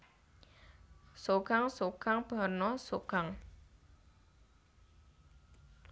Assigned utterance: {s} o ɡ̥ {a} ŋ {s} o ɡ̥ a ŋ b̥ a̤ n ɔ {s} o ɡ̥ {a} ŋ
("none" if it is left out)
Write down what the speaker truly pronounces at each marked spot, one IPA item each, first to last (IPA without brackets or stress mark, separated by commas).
s, a, s, s, a